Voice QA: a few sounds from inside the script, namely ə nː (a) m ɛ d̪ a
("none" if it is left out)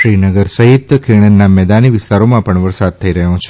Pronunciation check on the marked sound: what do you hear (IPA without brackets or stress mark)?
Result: a